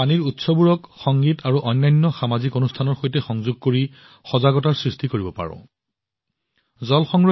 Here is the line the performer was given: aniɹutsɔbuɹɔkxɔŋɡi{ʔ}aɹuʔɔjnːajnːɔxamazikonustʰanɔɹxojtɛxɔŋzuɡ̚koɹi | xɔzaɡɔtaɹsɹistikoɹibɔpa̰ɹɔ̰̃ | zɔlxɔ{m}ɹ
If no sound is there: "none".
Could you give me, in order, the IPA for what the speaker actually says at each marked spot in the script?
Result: t, ŋ

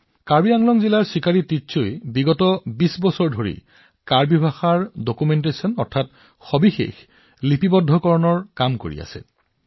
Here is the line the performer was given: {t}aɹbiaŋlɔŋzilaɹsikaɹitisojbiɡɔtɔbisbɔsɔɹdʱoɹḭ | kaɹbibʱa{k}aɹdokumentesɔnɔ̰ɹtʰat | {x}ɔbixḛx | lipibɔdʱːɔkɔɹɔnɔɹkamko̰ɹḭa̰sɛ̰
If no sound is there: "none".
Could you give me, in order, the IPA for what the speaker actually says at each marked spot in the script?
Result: k, x, x

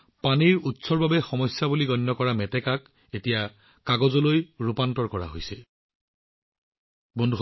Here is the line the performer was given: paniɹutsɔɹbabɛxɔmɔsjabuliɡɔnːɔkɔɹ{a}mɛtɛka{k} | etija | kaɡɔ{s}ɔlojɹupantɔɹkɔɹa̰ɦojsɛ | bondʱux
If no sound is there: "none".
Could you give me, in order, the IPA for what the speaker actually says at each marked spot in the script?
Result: a, k, z

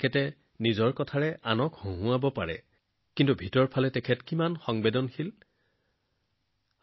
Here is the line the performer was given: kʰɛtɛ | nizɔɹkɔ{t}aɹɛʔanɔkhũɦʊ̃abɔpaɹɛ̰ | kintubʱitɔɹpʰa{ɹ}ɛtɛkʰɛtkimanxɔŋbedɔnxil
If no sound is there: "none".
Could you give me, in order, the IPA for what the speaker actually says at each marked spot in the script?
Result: tʰ, l

